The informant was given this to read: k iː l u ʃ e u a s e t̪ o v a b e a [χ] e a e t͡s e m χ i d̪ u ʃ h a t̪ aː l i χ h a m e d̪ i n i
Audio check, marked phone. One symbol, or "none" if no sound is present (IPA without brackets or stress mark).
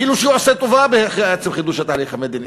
χ